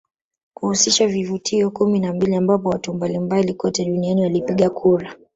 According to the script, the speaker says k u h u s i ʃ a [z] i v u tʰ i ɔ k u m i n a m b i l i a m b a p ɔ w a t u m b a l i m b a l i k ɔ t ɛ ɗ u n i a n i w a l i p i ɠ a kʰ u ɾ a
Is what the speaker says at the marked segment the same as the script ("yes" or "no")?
no